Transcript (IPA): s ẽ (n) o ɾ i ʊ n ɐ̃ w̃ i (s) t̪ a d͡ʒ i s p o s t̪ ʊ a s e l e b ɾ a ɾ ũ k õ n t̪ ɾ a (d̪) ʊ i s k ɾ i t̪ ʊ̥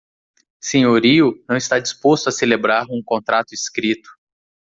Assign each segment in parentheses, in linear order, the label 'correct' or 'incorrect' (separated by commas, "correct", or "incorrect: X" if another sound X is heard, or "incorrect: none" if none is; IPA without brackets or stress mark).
incorrect: ɲ, correct, incorrect: t̪